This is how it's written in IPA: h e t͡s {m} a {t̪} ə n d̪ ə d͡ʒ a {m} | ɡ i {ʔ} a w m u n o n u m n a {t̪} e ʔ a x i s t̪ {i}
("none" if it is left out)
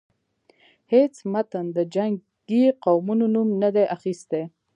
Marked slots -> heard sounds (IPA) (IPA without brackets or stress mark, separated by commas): m, t̪, ŋ, q, d̪, e